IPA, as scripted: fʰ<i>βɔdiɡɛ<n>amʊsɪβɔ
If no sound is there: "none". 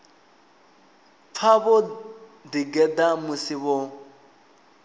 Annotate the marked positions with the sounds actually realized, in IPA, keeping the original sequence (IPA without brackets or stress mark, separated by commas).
a, d